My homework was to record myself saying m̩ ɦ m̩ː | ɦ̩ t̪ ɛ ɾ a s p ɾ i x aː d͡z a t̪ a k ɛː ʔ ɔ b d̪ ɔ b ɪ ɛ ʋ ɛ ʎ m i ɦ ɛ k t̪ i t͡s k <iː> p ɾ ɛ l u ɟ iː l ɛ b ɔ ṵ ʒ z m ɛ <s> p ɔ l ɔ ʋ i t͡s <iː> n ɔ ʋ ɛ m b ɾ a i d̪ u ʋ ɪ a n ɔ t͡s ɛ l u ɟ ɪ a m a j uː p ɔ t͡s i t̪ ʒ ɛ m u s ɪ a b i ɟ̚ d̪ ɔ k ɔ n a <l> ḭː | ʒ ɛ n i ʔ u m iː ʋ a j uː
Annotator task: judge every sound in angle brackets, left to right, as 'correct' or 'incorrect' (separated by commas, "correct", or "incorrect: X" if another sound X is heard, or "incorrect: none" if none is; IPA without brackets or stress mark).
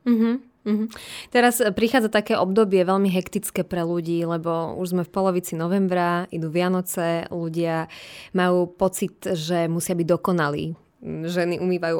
incorrect: ɛː, incorrect: f, incorrect: i, correct